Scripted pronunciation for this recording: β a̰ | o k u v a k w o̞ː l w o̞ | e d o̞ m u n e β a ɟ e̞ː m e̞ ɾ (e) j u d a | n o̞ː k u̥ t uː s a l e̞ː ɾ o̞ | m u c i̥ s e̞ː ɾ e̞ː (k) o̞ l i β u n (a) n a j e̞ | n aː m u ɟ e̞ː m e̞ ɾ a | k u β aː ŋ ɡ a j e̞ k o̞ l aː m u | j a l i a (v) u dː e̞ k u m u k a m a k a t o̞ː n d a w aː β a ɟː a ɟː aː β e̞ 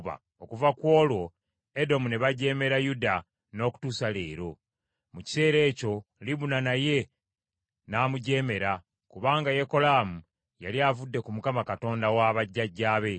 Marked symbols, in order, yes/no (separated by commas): no, no, yes, yes